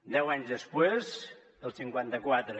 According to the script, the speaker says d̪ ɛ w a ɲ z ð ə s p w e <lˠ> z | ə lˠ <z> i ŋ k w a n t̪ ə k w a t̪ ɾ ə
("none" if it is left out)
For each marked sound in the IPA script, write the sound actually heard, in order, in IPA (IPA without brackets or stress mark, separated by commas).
none, s